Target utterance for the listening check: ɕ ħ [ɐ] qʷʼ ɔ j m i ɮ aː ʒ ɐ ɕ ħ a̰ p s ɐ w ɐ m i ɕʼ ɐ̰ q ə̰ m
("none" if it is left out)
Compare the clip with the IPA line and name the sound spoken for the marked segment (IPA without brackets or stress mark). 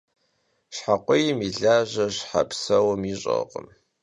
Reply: a